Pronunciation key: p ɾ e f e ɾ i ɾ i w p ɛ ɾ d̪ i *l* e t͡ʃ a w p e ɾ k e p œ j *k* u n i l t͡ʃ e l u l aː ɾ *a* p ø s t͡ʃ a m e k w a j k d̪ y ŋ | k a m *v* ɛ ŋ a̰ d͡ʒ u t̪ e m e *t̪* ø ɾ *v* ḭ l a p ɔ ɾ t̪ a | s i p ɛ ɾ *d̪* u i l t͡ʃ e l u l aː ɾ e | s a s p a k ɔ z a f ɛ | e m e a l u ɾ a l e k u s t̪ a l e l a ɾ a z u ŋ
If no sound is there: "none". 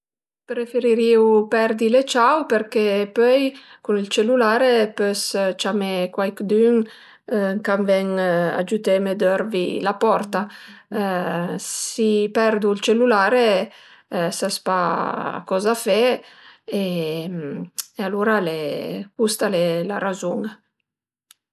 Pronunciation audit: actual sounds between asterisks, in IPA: l, k, e, v, d̪, v, d̪

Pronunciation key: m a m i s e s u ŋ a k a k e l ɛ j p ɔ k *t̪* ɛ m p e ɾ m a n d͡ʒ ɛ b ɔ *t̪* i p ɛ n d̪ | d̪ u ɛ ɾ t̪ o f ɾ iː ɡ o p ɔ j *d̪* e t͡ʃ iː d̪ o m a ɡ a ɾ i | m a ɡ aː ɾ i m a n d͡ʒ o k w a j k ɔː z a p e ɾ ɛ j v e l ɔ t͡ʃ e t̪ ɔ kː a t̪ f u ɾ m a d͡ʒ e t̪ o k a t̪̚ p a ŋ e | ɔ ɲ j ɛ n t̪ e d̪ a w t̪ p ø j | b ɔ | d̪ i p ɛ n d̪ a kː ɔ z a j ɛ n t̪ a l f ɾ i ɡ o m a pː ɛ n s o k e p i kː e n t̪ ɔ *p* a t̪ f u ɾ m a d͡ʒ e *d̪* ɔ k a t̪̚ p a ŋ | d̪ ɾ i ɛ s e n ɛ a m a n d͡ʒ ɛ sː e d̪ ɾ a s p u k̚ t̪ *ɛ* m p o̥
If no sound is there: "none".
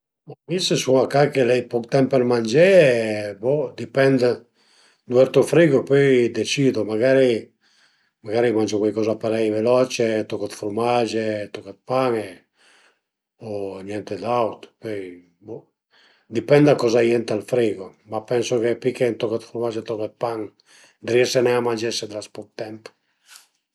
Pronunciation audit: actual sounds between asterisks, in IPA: t̪, d̪, d̪, k, t̪, ɛ

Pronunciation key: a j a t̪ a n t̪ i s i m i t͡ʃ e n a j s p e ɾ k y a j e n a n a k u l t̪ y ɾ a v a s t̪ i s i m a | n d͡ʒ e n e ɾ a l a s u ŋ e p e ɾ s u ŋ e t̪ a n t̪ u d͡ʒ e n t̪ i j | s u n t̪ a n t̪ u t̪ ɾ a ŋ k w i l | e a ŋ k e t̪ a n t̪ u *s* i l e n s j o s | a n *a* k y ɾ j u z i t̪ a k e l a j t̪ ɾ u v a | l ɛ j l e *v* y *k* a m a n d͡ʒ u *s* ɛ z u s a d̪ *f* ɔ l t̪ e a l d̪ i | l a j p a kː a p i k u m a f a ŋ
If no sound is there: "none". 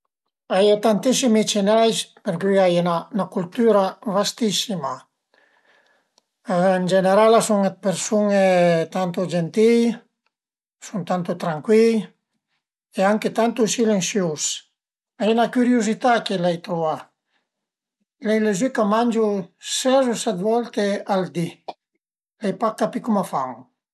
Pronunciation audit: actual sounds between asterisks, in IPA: s, a, z, k, s, v

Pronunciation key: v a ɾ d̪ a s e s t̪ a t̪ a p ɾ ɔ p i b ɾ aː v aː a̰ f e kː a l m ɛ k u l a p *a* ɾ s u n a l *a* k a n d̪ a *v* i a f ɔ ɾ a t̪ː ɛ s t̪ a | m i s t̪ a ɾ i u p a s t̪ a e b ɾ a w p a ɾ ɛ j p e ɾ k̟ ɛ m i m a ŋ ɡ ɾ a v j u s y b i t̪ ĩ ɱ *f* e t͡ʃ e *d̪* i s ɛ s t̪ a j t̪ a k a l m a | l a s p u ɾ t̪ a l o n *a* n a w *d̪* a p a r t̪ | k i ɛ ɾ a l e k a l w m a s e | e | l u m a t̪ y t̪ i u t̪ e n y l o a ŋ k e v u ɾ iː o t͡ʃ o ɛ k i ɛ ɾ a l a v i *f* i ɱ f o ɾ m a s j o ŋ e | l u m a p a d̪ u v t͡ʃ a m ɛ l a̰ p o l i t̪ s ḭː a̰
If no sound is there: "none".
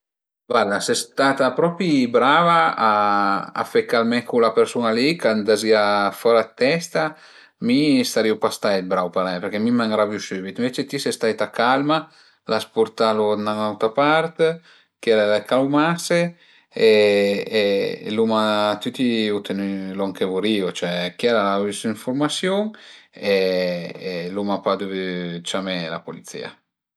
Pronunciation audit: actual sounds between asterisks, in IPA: e, i, z, v, t̪, a, t̪, s

